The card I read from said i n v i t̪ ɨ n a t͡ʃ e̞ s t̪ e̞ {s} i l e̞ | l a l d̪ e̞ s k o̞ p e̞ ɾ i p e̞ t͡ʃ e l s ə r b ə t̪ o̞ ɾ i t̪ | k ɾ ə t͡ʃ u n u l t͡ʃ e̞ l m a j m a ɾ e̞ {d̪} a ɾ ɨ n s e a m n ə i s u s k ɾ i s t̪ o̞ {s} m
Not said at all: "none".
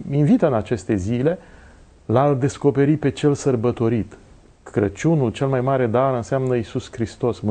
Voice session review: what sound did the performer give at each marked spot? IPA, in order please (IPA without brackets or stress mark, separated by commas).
z, d̪, s